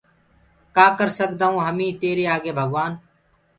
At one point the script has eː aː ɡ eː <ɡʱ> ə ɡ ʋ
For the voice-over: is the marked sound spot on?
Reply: no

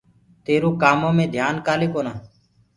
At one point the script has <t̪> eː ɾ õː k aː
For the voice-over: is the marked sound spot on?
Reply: yes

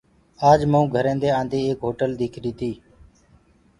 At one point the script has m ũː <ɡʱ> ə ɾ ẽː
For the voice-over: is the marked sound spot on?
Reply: yes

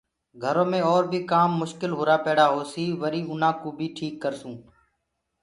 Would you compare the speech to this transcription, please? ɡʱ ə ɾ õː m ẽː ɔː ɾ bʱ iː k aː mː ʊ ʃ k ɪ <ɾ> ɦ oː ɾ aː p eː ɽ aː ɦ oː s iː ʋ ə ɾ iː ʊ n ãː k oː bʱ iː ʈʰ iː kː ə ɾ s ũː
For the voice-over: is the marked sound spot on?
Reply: no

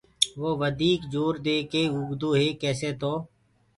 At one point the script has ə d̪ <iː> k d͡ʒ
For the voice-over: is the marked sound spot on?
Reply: yes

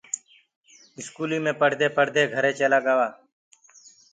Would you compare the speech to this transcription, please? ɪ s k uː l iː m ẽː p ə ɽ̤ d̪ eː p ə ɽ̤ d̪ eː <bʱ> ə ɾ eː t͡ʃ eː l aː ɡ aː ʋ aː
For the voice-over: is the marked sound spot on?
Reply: no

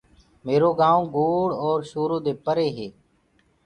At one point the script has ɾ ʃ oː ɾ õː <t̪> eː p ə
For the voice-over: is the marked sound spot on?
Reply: no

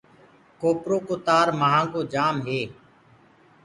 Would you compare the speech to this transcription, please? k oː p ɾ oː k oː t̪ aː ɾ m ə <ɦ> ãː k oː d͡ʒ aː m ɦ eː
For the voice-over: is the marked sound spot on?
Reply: yes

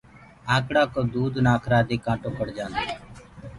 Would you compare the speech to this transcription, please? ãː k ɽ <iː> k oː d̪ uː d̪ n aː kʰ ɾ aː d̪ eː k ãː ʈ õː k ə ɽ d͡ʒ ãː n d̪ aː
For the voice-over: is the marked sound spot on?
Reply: no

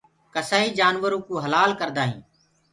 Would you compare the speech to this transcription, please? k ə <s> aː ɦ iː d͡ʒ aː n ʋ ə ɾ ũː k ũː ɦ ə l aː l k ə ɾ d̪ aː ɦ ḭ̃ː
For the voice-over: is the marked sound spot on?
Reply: yes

